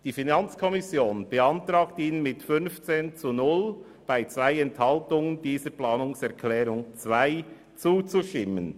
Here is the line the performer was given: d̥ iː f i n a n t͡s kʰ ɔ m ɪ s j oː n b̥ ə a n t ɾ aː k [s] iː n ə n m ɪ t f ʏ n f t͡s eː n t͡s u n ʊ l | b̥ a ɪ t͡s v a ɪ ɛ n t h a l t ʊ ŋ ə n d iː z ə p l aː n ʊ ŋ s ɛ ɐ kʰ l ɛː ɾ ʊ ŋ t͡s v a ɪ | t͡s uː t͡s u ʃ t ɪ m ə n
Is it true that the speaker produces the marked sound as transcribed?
no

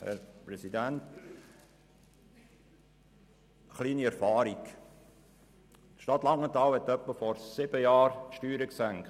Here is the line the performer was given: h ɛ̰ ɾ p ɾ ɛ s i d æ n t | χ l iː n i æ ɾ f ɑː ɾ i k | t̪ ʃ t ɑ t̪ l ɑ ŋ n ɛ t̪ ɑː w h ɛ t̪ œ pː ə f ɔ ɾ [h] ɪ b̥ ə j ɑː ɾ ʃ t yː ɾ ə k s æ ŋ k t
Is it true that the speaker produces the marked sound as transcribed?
no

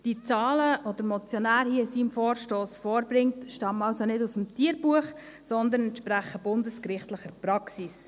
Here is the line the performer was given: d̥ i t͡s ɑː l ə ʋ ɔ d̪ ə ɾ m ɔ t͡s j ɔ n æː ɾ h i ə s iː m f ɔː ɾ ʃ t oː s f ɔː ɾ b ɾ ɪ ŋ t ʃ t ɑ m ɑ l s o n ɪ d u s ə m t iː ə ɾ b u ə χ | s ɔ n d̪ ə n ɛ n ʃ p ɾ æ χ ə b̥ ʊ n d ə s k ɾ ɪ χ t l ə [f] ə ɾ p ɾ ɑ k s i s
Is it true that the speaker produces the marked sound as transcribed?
no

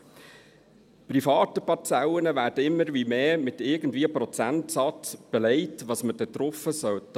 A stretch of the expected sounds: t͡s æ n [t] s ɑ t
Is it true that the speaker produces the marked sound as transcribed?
yes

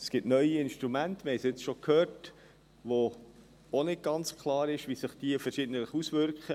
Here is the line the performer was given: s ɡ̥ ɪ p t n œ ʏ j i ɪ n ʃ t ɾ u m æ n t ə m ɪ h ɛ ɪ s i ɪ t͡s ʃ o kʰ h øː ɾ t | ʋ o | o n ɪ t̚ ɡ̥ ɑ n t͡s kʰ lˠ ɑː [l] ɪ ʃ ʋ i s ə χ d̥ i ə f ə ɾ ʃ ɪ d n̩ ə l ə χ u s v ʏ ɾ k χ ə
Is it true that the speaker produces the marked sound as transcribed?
no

